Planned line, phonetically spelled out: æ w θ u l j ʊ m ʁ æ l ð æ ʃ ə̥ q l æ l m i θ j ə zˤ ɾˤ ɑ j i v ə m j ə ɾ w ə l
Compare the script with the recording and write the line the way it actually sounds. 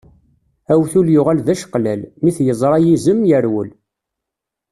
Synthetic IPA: æ w θ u l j ʊ ʁ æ l ð æ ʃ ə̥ q l æ l m i θ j ə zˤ ɾˤ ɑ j i z ə m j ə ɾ w ə l